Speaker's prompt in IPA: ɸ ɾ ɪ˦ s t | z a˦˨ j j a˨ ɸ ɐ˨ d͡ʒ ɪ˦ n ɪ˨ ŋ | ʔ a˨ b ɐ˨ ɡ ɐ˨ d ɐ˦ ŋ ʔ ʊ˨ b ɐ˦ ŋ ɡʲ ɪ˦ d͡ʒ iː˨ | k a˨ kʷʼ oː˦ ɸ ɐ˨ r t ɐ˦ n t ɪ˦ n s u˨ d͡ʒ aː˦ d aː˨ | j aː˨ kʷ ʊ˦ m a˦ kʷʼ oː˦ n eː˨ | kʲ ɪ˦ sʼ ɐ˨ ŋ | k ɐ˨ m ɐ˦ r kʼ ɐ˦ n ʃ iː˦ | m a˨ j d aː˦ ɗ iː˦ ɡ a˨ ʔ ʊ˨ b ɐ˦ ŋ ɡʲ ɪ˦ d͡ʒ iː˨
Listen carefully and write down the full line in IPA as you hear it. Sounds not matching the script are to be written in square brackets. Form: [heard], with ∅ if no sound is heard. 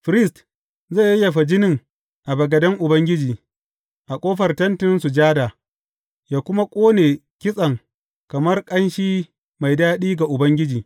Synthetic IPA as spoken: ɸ ɾ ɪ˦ s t | z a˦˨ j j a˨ ɸ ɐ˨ d͡ʒ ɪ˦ n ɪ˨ ŋ | ʔ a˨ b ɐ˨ ɡ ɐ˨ d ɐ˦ ŋ ʔ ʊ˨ b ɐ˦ ŋ ɡʲ ɪ˦ d͡ʒ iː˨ | [ʔ] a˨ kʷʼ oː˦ ɸ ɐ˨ r t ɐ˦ n t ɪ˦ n s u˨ d͡ʒ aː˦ d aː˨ | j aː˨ kʷ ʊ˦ m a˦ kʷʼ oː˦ n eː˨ | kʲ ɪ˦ sʼ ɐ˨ ŋ | k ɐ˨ m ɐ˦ r kʼ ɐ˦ n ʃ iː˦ | m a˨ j d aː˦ ɗ iː˦ ɡ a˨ ʔ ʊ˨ b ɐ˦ ŋ ɡʲ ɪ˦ d͡ʒ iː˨

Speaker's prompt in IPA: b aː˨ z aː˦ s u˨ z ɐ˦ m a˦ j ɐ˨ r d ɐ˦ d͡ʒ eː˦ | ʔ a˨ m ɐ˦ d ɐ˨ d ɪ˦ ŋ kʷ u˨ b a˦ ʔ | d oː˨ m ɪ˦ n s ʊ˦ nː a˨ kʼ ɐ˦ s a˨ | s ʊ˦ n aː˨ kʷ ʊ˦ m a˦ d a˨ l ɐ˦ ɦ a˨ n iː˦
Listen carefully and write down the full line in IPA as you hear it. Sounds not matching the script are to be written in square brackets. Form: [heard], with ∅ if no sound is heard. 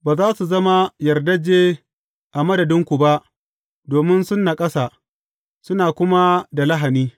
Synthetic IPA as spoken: b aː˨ z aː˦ s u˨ z ɐ˦ m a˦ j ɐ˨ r d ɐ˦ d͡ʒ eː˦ | ʔ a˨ m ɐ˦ d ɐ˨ d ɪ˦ ŋ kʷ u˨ b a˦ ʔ | d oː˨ m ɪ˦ n s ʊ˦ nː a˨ kʼ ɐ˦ s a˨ | s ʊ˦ n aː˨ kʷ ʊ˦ m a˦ d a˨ l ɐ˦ ɦ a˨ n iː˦

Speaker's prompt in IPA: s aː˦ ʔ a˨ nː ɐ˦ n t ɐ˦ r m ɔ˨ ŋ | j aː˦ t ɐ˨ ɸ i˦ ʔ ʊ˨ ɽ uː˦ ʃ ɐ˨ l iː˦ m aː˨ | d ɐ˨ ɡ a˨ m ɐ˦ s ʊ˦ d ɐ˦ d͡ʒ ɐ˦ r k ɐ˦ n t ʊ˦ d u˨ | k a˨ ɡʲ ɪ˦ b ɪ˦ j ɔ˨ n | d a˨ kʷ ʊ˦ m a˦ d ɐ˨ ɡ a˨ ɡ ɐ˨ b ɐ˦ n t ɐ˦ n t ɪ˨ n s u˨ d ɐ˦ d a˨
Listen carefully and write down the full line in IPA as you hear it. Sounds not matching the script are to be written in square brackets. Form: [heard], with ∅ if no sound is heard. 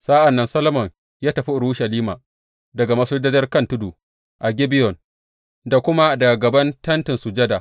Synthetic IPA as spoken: s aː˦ ʔ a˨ nː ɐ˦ n [s] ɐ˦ [l] m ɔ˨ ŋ | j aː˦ t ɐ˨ ɸ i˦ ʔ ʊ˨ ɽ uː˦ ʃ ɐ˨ l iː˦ m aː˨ | d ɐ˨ ɡ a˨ m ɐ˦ s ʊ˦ d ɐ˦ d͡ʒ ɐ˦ r k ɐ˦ n t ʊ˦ d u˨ | [ʔ] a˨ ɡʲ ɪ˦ b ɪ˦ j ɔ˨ n | d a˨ kʷ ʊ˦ m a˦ d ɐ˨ ɡ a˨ ɡ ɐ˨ b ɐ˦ n t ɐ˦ n t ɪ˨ n s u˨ [d͡ʒ] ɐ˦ d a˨

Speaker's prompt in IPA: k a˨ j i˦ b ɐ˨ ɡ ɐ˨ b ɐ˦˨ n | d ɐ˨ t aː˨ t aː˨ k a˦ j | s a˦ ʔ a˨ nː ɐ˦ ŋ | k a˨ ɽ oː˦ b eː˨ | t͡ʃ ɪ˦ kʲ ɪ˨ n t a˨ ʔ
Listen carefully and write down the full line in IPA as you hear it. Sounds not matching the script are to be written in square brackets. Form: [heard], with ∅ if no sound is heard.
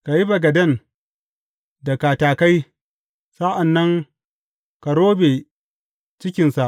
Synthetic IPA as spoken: k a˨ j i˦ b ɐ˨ ɡ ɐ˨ [d] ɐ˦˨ n | d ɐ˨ [k] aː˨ t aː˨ k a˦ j | s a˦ ʔ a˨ nː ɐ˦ ŋ | k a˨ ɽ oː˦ b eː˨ | t͡ʃ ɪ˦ kʲ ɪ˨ n [s] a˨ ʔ

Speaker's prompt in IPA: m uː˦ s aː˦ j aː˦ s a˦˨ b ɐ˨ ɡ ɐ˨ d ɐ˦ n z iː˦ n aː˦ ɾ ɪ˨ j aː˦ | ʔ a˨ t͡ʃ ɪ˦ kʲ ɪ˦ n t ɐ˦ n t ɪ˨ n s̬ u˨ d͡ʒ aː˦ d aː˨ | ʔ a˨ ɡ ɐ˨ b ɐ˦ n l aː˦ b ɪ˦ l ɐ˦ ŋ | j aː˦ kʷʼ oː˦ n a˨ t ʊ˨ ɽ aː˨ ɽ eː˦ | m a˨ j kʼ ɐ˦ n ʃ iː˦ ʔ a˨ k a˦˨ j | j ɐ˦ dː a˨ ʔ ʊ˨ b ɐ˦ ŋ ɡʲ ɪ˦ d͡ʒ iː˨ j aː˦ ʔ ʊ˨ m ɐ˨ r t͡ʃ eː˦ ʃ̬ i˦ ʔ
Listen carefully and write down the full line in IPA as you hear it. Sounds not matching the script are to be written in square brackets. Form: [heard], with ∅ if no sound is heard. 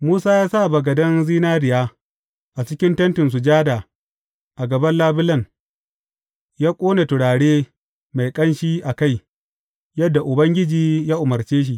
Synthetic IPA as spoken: m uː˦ s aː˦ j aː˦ s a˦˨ b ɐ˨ ɡ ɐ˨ d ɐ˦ n z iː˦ n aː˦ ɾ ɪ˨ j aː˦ | ʔ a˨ t͡ʃ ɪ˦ kʲ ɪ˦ n t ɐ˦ n t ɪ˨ n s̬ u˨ d͡ʒ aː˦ d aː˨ | ʔ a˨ ɡ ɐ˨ b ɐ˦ n l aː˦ b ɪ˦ l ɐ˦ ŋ | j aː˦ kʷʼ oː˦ n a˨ t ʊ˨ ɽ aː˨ ɽ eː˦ | m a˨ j kʼ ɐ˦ n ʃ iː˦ ʔ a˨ k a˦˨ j | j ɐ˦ dː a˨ ʔ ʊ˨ b ɐ˦ ŋ ɡʲ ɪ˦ d͡ʒ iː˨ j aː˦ ʔ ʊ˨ m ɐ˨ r t͡ʃ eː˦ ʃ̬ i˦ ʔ

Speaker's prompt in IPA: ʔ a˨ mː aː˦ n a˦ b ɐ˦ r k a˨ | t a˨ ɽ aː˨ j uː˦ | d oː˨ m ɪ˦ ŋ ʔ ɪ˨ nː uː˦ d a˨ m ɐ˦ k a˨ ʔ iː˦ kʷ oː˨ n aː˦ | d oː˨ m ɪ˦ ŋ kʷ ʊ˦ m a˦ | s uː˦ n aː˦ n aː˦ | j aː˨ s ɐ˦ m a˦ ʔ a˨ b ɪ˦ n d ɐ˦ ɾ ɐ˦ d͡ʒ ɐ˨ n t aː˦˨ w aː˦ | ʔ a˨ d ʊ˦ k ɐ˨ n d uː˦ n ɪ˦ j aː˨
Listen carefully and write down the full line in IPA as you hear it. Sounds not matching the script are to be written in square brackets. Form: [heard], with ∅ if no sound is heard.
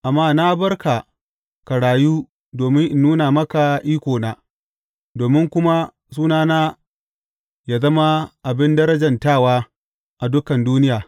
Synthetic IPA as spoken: ʔ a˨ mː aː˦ n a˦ b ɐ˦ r k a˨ | [k] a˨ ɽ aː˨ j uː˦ | d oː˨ m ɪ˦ ŋ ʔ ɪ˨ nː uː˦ [n] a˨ m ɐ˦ k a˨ ʔ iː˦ kʷ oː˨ n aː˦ | d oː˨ m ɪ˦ ŋ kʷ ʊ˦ m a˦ | s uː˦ n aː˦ n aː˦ | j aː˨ [z] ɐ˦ m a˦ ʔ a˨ b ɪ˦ n d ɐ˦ ɾ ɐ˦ d͡ʒ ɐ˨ n t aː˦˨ w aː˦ | ʔ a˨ d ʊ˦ k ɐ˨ n d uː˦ n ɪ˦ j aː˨

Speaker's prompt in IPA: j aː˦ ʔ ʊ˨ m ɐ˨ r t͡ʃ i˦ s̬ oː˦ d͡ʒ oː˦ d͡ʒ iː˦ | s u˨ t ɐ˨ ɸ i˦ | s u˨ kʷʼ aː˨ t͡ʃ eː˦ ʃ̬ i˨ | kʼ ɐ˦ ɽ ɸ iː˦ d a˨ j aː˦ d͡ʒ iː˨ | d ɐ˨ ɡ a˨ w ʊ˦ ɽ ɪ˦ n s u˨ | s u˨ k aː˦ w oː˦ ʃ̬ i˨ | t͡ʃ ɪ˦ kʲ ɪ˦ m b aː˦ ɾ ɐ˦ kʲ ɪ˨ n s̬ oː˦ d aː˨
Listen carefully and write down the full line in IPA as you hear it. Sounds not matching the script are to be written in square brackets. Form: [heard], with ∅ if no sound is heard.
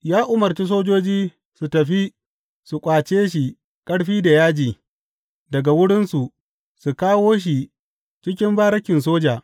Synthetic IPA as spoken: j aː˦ ʔ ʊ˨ m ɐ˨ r t͡ʃ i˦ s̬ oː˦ d͡ʒ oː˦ d͡ʒ iː˦ | s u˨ t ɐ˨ ɸ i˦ | s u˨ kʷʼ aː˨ t͡ʃ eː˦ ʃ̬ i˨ | kʼ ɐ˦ ɽ ɸ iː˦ d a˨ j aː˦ d͡ʒ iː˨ | d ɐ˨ ɡ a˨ w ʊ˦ ɽ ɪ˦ n s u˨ | s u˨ k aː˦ w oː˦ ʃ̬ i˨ | t͡ʃ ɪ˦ kʲ ɪ˦ m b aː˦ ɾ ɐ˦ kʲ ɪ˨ n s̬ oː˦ [d͡ʒ] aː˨

